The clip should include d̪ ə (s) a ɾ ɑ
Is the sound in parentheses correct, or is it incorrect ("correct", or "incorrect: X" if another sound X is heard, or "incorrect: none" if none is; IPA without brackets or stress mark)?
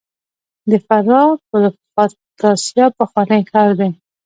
incorrect: f